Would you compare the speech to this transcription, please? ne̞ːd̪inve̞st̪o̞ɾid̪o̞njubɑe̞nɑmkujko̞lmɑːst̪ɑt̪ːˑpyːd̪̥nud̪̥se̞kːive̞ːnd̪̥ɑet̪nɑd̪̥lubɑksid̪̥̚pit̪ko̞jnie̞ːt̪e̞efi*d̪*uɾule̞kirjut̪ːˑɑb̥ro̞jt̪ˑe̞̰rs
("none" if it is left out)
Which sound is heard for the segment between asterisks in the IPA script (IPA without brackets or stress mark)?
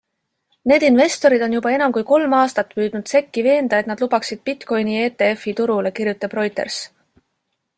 t̪